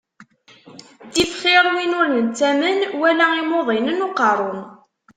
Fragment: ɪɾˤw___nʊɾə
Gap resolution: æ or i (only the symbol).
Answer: i